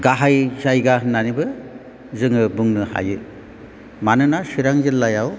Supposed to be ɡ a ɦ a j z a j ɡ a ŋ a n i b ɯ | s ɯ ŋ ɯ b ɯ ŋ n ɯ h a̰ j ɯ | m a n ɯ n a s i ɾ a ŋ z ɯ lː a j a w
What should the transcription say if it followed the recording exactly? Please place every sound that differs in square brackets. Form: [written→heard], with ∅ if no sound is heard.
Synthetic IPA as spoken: ɡ a ɦ a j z a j ɡ a [ŋ→n] a n i b ɯ | [s→z] ɯ ŋ ɯ b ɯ ŋ n ɯ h a̰ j ɯ | m a n ɯ n a s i ɾ a ŋ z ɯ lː a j a w